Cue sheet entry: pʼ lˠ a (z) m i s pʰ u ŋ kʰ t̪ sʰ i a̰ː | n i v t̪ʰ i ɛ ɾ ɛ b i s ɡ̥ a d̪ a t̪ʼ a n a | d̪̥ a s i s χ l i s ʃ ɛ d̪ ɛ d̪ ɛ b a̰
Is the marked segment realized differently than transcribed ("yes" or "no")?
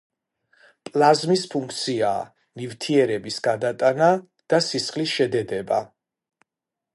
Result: no